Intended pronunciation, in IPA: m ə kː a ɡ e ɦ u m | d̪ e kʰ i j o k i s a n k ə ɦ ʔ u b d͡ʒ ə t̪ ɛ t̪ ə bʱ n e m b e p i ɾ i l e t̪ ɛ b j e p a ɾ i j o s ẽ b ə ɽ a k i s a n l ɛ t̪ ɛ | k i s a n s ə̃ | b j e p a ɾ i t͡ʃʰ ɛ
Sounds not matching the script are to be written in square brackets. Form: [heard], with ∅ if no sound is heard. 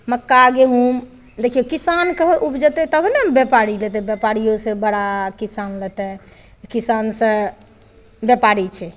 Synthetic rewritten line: m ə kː a ɡ e ɦ u m | d̪ e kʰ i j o k i s a n k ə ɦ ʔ u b d͡ʒ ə t̪ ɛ t̪ ə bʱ n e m b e p [a] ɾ i l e t̪ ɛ b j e p a ɾ i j o s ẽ b ə ɽ a k i s a n l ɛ t̪ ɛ | k i s a n s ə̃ | b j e p a ɾ i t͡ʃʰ ɛ